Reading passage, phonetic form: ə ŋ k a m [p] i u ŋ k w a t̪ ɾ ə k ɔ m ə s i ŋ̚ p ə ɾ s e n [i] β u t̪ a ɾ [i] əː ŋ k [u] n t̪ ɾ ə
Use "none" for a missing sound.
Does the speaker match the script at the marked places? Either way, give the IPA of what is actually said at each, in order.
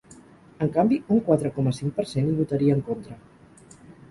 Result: b, i, i, o

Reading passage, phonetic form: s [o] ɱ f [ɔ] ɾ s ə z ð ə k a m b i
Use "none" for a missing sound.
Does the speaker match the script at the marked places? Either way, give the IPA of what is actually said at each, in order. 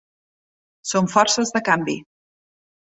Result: o, ɔ

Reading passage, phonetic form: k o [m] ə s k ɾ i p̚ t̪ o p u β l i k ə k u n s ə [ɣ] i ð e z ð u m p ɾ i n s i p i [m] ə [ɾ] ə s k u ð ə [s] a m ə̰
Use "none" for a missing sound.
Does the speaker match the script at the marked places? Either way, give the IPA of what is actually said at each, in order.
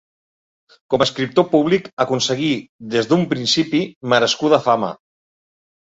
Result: m, ɣ, m, ɾ, f

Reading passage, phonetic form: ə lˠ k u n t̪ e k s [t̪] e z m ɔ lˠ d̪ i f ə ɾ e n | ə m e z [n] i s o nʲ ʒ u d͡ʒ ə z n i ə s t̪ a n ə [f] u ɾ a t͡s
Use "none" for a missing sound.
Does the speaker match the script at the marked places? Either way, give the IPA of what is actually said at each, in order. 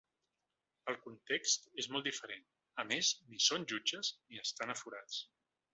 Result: t̪, n, f

